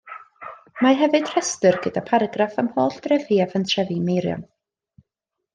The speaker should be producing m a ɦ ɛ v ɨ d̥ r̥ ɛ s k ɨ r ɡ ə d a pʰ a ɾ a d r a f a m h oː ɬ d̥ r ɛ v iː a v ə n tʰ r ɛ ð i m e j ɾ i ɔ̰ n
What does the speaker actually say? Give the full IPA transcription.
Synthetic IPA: m a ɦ ɛ v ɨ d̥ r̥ ɛ s t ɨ r ɡ ə d a pʰ a ɾ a ɡ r a f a m h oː ɬ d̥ r ɛ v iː a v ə n tʰ r ɛ v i m e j ɾ j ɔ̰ n